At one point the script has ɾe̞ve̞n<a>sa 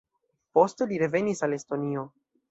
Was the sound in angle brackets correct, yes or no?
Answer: no